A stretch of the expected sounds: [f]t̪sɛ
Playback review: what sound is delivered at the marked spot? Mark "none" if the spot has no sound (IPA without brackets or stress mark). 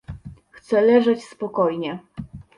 x